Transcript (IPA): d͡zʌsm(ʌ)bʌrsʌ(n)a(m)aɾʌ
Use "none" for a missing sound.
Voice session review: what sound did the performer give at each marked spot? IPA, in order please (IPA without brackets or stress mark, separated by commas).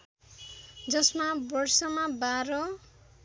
a, m, b